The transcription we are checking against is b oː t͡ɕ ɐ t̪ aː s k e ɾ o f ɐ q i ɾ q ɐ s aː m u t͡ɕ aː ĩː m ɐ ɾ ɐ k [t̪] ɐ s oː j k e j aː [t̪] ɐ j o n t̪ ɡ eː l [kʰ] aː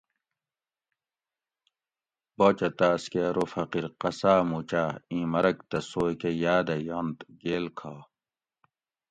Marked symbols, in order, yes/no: yes, no, yes

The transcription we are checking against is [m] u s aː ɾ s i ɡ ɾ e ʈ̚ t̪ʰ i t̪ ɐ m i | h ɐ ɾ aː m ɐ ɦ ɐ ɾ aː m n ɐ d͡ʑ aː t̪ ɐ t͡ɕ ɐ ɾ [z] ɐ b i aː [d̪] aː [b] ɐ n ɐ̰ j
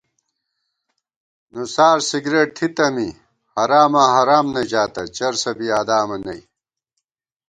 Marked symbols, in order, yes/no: no, no, yes, no

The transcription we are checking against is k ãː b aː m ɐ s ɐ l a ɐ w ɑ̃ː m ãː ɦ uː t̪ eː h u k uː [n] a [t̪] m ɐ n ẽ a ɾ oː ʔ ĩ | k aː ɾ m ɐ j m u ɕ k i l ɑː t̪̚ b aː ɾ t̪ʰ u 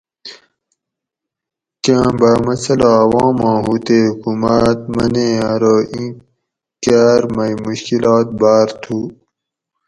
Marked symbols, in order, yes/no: no, yes

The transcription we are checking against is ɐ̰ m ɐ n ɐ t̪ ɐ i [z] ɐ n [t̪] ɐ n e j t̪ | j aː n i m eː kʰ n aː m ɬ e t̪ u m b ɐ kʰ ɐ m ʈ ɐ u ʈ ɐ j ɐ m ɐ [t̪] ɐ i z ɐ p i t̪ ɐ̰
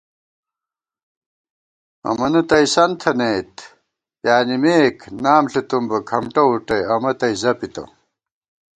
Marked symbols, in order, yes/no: no, no, yes

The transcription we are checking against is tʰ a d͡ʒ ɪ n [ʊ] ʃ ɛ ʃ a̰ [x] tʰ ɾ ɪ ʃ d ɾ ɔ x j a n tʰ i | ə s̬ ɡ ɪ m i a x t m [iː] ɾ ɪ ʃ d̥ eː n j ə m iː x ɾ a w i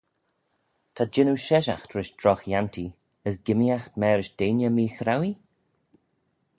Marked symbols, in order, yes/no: no, yes, no

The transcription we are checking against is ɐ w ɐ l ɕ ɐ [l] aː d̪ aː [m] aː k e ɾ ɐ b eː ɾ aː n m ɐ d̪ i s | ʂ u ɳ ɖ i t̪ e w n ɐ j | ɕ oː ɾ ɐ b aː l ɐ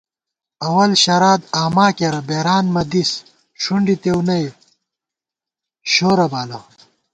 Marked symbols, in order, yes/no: no, yes

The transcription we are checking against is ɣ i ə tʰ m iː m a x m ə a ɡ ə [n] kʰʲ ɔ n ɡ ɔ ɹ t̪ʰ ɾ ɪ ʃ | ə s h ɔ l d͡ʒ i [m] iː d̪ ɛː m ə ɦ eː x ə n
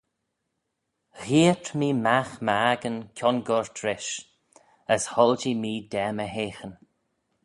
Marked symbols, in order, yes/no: yes, yes

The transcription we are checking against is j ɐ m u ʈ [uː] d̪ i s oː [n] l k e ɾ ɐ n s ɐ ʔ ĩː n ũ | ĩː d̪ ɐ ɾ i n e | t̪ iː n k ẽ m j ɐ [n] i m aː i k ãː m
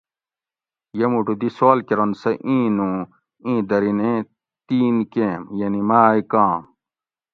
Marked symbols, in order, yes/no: no, no, yes

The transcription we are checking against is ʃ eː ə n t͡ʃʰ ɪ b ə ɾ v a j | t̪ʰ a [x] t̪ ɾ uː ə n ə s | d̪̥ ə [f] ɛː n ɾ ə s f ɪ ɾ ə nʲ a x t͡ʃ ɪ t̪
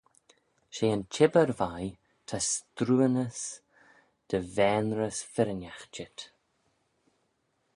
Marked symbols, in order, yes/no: no, no

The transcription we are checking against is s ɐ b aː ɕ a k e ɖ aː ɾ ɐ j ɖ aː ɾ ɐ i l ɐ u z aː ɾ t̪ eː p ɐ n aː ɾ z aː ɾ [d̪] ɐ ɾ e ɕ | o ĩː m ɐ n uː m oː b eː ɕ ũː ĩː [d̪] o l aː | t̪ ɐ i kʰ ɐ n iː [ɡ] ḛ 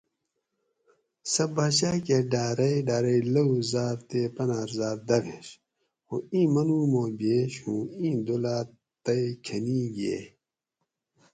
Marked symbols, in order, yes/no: yes, yes, yes

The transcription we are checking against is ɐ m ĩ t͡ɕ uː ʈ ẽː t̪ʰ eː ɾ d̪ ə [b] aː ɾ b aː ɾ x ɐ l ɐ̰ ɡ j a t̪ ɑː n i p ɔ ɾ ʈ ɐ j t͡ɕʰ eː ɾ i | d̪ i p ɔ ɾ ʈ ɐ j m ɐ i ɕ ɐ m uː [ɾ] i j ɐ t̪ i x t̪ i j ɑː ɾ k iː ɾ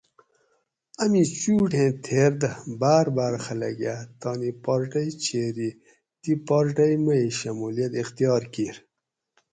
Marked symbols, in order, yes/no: yes, no

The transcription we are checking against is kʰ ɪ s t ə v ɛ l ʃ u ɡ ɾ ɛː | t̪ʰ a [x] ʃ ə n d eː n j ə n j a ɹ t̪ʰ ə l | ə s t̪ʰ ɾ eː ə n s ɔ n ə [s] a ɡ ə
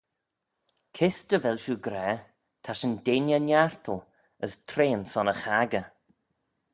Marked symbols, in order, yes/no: no, no

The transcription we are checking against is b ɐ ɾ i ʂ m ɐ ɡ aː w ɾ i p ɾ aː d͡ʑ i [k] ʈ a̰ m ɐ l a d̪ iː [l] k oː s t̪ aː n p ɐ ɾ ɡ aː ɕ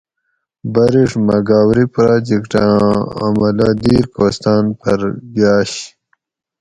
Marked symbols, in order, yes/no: yes, no

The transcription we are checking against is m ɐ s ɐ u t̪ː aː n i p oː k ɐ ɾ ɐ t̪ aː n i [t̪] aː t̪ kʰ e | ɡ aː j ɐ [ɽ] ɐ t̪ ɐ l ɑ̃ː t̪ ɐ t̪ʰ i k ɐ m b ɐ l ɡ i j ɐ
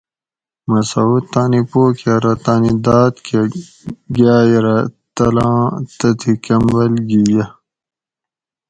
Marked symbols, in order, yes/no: no, no

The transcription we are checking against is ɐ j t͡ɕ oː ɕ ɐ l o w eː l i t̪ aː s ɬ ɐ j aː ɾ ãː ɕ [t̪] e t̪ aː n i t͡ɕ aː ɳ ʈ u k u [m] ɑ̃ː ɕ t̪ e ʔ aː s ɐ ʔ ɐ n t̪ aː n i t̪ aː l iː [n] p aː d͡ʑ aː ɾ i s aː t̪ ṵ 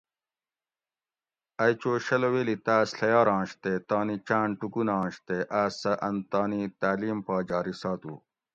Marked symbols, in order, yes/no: yes, no, no

